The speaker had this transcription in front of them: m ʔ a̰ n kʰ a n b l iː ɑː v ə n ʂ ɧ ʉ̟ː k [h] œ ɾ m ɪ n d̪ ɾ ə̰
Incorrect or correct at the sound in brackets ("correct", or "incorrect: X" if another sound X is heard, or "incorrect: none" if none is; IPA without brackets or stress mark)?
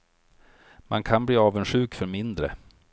incorrect: f